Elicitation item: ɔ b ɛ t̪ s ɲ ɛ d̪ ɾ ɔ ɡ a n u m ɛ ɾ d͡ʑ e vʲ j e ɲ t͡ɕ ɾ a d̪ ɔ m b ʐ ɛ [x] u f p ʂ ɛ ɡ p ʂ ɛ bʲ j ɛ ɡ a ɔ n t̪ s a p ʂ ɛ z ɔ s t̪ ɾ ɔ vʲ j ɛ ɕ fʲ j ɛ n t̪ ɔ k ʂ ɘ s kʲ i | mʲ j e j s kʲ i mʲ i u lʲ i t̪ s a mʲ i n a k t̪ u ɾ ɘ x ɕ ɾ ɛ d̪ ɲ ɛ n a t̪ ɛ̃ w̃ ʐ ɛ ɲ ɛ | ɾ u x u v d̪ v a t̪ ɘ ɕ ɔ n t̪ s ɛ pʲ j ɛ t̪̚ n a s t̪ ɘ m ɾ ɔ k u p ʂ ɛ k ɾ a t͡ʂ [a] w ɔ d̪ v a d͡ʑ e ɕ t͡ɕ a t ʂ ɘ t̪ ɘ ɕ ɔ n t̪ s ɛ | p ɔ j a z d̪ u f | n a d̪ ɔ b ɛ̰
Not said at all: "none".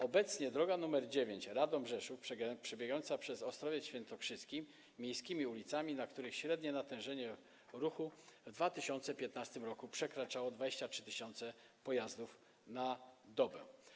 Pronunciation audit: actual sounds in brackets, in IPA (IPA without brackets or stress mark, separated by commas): ʂ, a